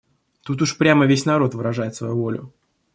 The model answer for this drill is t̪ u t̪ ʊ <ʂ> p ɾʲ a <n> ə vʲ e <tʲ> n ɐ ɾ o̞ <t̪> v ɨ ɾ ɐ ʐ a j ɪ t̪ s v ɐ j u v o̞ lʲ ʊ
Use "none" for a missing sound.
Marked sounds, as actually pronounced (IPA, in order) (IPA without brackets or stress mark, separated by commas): ʂ, m, sʲ, t̪